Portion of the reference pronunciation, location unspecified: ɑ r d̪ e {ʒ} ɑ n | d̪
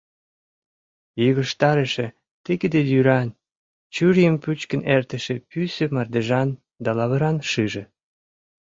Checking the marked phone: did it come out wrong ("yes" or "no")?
no